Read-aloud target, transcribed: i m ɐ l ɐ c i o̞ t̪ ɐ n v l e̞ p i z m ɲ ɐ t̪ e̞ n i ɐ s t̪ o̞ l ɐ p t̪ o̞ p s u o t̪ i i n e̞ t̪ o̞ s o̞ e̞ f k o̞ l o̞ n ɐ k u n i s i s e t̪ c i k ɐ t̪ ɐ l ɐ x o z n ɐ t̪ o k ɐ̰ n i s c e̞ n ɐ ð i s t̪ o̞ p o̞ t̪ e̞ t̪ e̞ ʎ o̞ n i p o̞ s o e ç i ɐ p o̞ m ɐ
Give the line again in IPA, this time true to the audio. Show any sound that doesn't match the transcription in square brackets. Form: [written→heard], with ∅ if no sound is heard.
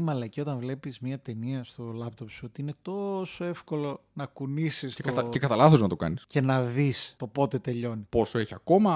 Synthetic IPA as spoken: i m ɐ l ɐ c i o̞ t̪ ɐ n v l e̞ p i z m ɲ ɐ t̪ e̞ n i ɐ s t̪ o̞ l ɐ p t̪ o̞ p s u o t̪ i i n e̞ t̪ o̞ s o̞ e̞ f k o̞ l o̞ n ɐ k u n i s i s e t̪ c [i→e] k ɐ t̪ ɐ l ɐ [x→θ] o z n ɐ t̪ o k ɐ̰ n i s c e̞ n ɐ ð i s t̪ o̞ p o̞ t̪ e̞ t̪ e̞ ʎ o̞ n i p o̞ s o e ç i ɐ [p→k] o̞ m ɐ